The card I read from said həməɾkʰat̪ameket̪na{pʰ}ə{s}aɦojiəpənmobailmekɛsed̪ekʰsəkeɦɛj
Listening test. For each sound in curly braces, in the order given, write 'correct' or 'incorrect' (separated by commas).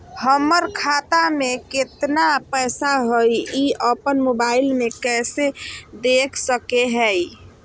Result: incorrect, correct